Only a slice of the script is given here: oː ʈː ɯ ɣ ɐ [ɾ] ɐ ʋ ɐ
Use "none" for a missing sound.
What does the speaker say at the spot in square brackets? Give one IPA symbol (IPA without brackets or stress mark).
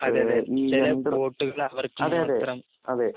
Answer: ɭ